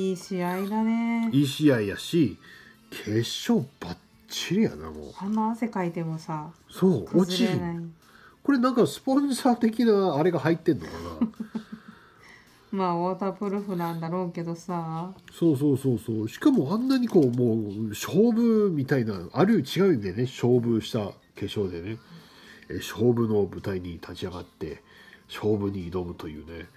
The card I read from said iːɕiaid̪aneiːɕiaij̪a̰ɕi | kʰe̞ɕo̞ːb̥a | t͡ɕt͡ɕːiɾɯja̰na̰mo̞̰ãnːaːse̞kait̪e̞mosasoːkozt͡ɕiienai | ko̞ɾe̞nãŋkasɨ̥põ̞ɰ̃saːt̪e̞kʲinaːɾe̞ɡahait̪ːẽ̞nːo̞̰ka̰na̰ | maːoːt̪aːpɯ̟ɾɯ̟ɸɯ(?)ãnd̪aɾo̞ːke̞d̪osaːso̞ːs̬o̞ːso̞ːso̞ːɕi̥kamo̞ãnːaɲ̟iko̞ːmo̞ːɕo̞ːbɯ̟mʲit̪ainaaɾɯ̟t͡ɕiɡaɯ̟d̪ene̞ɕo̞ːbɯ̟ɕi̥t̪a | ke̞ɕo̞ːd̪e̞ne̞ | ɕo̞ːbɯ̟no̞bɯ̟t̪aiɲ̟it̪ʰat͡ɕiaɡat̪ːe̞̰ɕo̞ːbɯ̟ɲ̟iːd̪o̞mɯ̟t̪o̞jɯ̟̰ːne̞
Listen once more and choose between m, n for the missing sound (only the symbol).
n